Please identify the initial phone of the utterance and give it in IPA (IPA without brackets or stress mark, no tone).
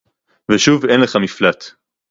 v